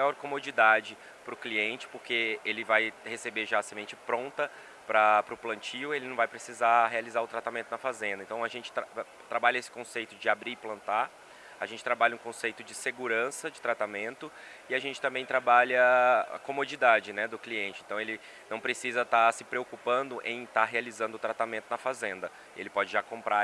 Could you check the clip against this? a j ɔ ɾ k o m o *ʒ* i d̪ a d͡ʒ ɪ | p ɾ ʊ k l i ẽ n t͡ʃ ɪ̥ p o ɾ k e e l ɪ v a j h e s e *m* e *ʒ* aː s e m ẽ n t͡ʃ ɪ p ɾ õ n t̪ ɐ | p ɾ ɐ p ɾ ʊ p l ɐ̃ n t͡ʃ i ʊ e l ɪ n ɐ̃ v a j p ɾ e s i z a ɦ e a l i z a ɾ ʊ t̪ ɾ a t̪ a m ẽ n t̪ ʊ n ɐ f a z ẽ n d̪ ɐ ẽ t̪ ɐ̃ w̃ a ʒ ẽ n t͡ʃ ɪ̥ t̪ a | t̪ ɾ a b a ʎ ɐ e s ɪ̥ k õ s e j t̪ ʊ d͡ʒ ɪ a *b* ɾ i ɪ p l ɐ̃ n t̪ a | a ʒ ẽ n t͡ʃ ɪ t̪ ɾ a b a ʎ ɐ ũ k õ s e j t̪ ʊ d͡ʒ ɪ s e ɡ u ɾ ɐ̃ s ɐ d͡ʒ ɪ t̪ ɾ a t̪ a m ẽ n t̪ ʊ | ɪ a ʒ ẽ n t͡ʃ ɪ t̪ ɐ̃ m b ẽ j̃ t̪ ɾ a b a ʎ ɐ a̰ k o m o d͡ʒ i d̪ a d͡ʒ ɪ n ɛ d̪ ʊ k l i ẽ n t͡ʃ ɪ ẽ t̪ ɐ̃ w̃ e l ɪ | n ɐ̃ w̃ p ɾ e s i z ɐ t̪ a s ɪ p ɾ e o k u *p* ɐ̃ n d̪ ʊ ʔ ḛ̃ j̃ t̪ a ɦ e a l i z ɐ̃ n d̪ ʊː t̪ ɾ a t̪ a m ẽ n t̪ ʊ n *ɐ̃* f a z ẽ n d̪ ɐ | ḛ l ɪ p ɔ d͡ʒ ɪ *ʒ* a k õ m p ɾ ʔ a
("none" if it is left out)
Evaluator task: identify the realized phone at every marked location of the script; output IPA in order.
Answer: d͡ʒ, b, ʒ, b, p, ɐ, ʒ

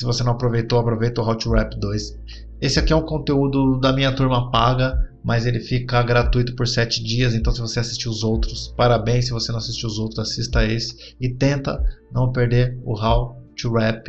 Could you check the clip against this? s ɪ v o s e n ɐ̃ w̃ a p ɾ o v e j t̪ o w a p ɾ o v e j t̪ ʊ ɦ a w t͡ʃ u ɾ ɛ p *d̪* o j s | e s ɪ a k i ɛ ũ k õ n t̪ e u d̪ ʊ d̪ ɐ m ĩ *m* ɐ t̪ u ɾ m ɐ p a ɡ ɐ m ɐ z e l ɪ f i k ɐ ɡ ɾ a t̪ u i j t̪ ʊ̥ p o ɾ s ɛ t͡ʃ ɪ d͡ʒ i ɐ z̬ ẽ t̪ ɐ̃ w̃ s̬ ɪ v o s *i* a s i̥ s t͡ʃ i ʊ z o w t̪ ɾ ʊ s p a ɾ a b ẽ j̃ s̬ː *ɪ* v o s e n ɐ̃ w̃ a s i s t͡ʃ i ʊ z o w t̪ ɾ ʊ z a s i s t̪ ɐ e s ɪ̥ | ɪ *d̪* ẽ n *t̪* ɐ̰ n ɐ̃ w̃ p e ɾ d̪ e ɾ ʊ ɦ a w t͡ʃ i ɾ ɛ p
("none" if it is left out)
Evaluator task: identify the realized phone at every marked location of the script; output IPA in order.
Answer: d̪, ɲ, e, ɪ, t̪, t̪

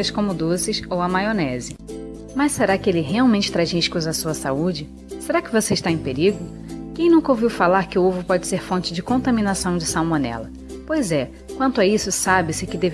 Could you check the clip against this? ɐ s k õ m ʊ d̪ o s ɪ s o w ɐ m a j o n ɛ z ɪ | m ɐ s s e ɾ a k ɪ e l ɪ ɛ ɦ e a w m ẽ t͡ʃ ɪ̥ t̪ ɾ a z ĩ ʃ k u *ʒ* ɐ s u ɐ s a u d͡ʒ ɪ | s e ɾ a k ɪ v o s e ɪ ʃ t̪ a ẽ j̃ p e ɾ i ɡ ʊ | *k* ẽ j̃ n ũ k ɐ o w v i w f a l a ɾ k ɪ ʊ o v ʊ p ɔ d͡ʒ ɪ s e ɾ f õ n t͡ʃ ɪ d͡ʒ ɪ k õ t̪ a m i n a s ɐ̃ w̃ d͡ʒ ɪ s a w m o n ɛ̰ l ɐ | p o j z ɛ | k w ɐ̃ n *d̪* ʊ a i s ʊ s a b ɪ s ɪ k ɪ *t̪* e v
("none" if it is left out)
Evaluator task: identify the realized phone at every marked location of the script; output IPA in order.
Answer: z, k, t̪, d̪

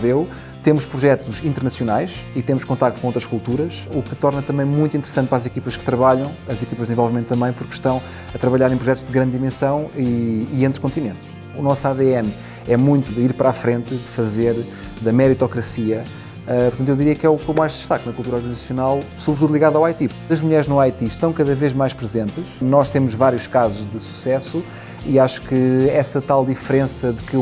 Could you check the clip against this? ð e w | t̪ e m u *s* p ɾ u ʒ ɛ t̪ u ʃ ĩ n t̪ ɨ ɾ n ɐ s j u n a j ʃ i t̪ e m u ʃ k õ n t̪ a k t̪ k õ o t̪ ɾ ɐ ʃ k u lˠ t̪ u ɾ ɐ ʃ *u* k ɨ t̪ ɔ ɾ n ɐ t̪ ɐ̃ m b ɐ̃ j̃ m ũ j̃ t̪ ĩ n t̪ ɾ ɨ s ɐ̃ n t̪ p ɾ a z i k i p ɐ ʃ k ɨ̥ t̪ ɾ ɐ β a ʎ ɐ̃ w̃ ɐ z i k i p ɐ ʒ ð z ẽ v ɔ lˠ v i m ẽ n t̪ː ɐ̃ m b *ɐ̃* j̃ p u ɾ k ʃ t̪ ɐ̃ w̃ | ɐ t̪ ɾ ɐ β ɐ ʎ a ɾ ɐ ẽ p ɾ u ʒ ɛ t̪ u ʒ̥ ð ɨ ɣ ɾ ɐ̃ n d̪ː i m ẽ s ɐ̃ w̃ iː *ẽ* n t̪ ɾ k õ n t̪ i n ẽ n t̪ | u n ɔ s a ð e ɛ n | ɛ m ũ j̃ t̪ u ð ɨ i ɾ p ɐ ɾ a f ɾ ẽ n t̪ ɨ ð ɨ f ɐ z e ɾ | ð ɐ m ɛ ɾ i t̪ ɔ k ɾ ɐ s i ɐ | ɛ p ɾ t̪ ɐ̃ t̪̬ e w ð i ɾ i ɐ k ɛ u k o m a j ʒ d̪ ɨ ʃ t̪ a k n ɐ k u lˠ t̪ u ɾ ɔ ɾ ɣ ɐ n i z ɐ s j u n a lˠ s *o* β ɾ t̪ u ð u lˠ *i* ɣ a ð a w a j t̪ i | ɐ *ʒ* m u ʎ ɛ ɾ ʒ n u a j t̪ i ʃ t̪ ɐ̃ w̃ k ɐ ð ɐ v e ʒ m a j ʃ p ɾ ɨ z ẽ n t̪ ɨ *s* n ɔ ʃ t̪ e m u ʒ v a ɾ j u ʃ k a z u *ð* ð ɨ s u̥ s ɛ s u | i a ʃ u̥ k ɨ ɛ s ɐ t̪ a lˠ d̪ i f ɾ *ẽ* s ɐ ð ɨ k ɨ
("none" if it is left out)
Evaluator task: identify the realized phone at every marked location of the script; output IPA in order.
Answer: ʃ, u, ɐ̃, ẽ, u, i, ʒ, ʃ, ʒ, ẽ

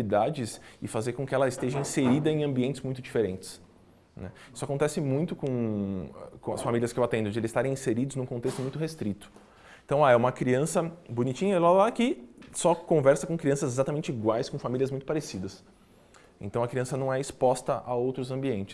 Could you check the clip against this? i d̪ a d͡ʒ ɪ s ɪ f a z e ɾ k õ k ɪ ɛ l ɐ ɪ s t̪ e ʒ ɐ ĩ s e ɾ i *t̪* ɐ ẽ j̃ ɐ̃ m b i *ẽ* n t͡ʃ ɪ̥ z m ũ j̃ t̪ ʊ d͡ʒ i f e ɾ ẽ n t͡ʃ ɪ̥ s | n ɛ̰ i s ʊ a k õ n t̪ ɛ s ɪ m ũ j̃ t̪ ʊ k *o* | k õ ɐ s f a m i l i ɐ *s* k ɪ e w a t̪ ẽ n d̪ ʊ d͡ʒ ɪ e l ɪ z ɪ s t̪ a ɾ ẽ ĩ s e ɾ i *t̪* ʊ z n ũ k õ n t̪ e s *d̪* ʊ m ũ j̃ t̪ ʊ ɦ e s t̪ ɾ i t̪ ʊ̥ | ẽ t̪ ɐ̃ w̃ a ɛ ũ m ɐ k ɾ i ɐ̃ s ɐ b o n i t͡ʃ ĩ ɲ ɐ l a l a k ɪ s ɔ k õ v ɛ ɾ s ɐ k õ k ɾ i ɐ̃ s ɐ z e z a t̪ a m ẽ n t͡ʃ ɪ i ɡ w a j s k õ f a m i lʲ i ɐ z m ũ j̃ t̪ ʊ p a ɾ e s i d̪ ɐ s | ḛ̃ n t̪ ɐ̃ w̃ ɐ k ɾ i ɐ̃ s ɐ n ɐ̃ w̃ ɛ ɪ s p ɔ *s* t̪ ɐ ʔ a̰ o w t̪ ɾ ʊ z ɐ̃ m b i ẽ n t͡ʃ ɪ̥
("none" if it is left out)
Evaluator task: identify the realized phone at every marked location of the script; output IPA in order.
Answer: d̪, ẽ, õ, s, d̪, t̪, s

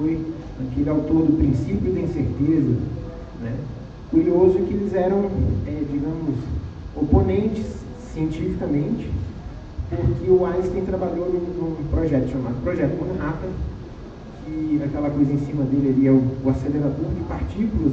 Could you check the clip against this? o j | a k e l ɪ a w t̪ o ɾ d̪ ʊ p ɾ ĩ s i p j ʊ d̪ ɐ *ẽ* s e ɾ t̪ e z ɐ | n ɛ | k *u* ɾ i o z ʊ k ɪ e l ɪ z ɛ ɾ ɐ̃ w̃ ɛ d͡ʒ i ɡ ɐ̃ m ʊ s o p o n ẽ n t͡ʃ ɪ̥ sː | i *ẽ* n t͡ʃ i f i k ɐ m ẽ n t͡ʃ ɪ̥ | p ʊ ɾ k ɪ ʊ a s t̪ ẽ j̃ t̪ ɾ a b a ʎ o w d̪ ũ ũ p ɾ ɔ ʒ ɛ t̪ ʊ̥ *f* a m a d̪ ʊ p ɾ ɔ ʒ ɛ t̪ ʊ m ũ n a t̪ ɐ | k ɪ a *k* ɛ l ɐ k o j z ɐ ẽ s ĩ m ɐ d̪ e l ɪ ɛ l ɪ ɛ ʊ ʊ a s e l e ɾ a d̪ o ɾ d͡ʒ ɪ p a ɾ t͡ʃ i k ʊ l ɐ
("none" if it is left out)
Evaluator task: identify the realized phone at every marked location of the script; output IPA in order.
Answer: ĩ, u, ẽ, ʃ, k

